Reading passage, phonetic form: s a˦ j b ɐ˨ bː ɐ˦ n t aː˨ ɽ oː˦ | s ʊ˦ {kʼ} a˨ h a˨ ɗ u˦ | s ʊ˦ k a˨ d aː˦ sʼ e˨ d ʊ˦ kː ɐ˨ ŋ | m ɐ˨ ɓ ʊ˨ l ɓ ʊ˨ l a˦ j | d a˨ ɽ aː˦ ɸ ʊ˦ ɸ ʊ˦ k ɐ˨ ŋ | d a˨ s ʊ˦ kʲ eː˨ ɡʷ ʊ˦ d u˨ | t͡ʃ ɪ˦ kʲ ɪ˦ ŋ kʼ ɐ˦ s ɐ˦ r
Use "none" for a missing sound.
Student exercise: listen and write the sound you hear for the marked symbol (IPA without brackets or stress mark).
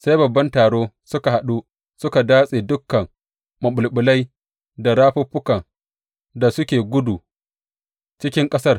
k